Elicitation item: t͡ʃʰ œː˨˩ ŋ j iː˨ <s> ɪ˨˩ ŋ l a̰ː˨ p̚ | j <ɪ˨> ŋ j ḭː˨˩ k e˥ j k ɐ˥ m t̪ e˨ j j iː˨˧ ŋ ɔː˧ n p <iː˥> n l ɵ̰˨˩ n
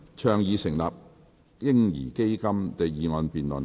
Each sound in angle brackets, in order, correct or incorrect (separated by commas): correct, incorrect, incorrect